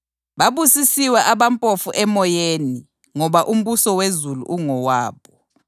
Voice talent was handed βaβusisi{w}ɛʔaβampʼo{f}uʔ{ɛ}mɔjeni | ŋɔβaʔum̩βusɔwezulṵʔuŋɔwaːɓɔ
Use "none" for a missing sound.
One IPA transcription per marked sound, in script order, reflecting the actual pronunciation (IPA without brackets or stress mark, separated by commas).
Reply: w, f, ɛ